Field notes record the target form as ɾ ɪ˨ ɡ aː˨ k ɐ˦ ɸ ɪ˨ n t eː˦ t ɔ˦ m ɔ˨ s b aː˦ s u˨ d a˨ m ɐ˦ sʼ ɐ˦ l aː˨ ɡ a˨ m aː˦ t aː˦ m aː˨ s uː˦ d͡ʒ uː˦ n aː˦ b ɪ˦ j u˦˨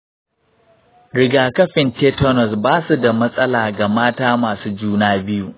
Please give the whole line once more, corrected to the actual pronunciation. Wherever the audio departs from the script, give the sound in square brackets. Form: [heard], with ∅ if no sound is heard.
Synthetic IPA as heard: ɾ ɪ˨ ɡ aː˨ k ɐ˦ ɸ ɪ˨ n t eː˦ t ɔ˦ [n] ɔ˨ s b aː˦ s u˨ d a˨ m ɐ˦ sʼ ɐ˦ l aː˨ ɡ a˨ m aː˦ t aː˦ m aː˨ s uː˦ d͡ʒ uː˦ n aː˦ b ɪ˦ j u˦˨